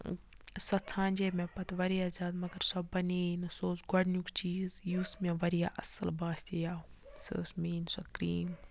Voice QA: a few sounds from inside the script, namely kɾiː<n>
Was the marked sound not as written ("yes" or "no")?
yes